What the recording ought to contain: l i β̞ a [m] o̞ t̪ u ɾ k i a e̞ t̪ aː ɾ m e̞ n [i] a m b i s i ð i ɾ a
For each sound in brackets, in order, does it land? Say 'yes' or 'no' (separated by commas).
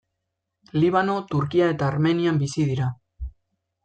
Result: no, yes